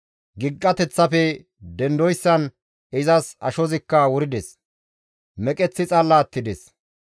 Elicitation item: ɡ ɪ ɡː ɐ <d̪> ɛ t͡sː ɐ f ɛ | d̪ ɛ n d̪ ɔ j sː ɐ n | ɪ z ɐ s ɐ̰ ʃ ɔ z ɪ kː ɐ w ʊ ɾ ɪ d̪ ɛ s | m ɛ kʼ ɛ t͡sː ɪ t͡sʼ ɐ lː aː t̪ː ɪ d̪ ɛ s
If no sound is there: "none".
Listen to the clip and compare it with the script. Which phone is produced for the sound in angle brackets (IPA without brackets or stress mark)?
t̪